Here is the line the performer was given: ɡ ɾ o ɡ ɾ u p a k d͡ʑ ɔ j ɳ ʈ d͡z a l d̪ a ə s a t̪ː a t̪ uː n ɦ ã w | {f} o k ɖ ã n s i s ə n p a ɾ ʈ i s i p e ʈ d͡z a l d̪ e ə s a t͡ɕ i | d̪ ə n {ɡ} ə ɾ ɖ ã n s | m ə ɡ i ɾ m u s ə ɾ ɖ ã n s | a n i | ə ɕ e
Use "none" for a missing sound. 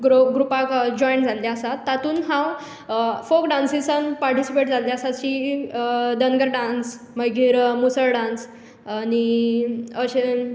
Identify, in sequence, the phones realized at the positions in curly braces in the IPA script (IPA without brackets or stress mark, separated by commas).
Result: f, ɡ